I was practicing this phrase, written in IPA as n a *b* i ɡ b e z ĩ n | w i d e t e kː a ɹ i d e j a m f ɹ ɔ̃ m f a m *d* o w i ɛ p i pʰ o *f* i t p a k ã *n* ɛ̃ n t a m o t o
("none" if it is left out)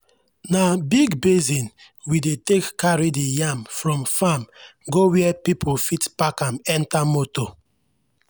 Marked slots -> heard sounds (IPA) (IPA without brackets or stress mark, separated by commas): b, ɡ, f, m